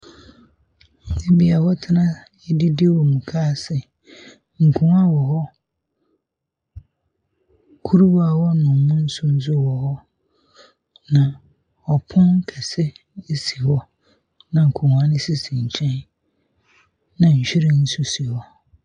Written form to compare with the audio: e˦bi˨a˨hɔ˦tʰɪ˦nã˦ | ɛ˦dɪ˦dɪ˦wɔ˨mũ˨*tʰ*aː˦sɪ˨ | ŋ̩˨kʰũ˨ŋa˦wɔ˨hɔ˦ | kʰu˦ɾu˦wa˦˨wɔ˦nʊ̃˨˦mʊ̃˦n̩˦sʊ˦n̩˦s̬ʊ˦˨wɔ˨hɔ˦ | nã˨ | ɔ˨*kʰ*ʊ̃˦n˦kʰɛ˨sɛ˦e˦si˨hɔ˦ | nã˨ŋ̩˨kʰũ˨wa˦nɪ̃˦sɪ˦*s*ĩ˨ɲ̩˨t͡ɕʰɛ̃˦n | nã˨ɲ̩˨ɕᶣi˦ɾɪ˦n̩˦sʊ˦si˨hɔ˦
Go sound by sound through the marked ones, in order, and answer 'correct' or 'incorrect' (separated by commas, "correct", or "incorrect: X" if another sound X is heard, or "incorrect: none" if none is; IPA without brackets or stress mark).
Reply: incorrect: kʰ, incorrect: pʰ, correct